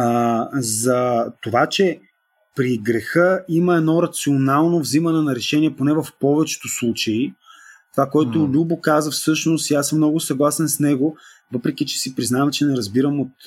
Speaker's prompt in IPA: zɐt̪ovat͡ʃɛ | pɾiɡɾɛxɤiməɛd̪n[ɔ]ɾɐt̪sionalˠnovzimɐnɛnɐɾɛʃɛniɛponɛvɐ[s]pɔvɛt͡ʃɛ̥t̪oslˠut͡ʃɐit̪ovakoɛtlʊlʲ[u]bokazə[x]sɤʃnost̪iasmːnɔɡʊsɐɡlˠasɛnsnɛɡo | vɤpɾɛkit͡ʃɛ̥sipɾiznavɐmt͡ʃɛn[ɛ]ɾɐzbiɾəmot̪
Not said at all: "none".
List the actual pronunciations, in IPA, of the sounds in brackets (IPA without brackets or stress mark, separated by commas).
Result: ɔ, f, u, f, ɛ